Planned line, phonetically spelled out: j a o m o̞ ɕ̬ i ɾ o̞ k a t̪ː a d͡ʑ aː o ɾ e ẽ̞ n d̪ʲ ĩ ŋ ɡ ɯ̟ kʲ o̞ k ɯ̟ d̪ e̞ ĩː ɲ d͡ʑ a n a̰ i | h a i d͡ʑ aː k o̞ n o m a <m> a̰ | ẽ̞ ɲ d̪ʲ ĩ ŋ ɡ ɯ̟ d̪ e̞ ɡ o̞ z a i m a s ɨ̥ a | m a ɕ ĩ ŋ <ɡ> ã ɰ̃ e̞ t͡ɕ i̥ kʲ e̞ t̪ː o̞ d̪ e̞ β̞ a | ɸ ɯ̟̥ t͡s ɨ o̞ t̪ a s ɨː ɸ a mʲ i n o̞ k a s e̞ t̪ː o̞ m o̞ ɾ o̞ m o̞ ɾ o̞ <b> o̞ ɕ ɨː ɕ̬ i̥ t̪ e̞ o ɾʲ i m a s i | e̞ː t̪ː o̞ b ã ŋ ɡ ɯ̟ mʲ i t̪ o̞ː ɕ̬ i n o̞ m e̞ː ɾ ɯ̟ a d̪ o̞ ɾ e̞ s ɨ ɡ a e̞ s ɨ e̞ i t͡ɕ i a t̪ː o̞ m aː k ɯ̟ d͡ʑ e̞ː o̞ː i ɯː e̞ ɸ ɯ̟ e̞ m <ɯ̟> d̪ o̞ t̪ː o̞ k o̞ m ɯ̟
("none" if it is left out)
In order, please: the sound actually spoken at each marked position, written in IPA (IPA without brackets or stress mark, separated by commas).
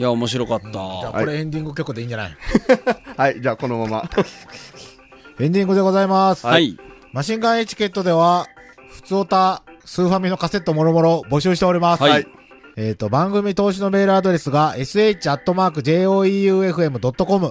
m, ɡ, b, ɯ̟